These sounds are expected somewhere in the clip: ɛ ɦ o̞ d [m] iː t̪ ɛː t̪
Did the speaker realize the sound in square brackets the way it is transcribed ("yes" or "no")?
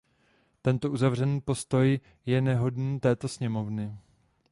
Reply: no